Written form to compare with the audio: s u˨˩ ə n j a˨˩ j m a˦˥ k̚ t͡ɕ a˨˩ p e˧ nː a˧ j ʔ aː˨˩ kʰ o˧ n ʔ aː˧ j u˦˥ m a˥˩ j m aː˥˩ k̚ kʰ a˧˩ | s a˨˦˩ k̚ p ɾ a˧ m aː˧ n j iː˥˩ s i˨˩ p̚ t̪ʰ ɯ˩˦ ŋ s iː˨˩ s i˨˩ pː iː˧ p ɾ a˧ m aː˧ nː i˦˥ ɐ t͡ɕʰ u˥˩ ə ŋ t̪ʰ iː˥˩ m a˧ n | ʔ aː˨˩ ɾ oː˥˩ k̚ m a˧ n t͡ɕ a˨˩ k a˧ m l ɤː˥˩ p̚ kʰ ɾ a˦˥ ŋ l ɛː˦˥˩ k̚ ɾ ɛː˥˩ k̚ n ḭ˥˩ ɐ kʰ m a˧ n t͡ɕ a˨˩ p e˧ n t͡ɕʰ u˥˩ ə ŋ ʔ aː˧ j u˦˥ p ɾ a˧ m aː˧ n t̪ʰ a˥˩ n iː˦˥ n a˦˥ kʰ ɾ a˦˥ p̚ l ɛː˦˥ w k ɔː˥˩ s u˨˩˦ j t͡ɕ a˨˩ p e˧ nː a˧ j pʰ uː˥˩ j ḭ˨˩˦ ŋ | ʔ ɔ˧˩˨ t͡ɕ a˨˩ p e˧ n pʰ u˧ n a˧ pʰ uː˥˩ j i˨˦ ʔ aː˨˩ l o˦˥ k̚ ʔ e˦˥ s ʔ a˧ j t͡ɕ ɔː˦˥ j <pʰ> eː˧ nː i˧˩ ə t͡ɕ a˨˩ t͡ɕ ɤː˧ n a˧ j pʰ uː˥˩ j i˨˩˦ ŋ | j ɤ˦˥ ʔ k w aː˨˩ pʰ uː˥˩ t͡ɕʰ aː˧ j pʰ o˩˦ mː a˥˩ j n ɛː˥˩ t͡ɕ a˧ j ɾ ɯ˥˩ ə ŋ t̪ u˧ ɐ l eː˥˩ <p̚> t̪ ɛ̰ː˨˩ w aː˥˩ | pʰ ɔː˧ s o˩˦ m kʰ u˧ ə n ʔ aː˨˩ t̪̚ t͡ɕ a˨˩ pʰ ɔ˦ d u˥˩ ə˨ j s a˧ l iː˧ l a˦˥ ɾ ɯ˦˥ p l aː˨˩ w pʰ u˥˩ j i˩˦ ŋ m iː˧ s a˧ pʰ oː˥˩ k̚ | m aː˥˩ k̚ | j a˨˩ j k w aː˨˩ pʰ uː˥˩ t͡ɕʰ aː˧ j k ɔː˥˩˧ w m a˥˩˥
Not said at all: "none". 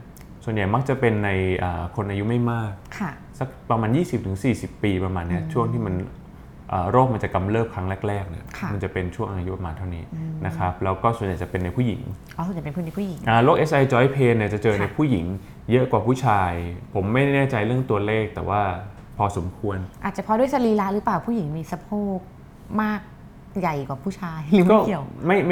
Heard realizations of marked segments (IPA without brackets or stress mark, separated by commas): pʰ, k̚